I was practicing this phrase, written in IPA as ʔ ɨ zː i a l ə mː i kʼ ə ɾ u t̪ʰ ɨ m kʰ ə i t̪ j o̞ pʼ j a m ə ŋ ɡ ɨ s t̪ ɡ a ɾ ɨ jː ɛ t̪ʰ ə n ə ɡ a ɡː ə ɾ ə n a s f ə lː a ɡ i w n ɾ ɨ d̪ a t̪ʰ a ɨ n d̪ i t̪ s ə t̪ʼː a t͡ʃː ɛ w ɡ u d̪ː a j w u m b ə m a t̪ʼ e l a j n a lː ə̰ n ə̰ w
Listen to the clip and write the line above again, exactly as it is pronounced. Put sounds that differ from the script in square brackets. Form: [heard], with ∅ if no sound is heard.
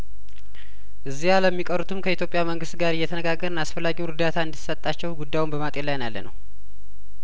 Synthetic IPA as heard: ʔ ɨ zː i a l ə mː i kʼ ə ɾ u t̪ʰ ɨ m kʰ ə i t̪ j o̞ pʼ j a m ə ŋ ɡ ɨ s t̪ ɡ a ɾ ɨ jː ɛ t̪ʰ ə n ə ɡ a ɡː ə ɾ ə n a s f ə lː a ɡ i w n ɾ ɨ d̪ a t̪ʰ a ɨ n d̪ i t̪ s ə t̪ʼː a t͡ʃː ɛ w ɡ u d̪ː a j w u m b ə m a t̪ʼ e l a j n a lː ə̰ n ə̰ w